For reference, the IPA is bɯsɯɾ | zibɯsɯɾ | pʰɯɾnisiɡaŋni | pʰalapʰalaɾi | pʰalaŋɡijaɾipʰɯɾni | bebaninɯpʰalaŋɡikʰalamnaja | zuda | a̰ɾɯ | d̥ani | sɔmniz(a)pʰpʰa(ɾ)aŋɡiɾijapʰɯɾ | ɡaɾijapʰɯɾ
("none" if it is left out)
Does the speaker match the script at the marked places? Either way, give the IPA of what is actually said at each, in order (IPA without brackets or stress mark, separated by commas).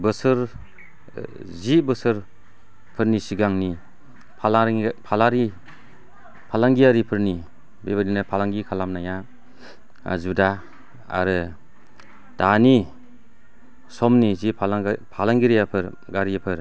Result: i, l